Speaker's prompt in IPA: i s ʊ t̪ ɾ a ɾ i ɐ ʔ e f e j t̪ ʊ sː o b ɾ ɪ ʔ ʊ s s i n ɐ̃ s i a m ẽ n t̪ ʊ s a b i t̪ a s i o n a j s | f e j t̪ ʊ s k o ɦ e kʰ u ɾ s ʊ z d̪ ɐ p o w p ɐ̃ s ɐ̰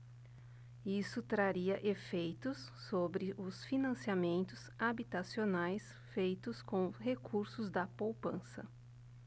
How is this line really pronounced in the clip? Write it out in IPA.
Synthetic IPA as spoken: i s ʊ t̪ ɾ a ɾ i ɐ ʔ e f e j t̪ ʊ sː o b ɾ ɪ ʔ ʊ s f i n ɐ̃ s i a m ẽ n t̪ ʊ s a b i t̪ a s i o n a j s | f e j t̪ ʊ s k õ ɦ e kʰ u ɾ s ʊ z d̪ ɐ p o w p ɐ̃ s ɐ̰